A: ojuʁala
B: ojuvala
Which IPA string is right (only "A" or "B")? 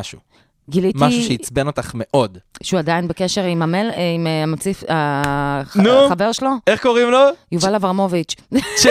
B